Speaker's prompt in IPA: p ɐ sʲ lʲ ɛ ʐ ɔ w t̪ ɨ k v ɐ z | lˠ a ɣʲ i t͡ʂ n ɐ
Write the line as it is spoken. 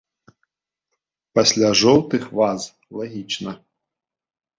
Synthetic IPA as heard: p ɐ sʲ lʲ a ʐ ɔ w t̪ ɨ x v a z | lˠ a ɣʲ i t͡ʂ n ɐ